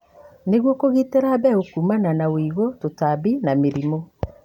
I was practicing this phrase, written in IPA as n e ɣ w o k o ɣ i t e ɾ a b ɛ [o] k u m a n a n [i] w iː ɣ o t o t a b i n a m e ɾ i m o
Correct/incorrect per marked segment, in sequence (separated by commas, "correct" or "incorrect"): correct, incorrect